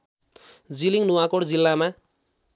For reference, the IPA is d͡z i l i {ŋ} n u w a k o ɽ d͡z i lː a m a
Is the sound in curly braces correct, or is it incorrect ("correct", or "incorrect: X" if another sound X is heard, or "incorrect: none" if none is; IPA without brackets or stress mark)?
correct